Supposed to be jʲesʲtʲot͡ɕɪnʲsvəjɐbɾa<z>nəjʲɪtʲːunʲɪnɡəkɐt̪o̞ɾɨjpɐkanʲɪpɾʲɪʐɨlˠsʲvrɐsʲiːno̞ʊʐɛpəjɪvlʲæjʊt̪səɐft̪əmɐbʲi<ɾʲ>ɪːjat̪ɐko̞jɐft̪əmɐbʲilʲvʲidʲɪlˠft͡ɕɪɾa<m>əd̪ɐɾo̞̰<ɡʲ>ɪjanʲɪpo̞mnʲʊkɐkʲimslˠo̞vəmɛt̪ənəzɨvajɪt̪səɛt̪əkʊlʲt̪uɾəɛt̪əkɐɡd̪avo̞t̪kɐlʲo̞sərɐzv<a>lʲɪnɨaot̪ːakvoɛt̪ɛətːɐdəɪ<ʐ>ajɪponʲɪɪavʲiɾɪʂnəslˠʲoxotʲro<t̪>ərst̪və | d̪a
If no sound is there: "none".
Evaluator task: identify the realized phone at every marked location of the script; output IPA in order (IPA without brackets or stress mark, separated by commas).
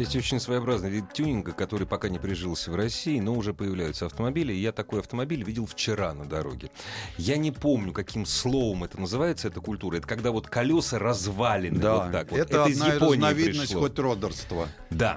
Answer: z, lʲ, n, ɡʲ, a, z, d̪